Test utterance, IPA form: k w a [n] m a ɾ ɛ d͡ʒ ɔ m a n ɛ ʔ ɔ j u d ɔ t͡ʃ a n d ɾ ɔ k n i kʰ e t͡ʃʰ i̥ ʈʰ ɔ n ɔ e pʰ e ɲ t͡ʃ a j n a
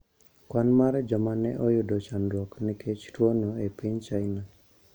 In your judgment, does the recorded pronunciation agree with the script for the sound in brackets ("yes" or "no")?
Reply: yes